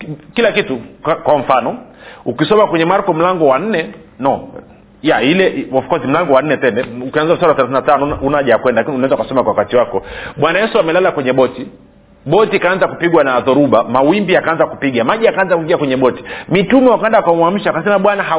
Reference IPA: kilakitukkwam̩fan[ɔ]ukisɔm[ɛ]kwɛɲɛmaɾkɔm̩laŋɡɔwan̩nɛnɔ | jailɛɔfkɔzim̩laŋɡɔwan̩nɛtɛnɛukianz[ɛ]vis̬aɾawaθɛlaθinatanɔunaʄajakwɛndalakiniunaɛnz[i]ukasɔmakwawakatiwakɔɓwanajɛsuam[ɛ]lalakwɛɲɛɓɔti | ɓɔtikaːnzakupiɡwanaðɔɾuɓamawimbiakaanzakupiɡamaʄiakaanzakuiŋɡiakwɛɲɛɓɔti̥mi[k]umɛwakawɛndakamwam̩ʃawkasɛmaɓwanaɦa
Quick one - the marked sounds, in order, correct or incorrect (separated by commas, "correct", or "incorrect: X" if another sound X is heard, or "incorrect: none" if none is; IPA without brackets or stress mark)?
correct, incorrect: a, incorrect: a, incorrect: a, correct, incorrect: t